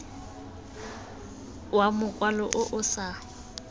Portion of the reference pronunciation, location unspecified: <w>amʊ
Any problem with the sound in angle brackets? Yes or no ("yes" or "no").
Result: no